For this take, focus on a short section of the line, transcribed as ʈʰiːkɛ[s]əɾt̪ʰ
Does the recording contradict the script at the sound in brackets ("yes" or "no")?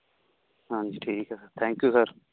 no